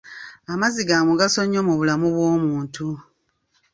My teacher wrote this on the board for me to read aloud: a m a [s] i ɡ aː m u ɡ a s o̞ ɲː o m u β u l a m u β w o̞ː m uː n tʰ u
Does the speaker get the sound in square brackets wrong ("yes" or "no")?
yes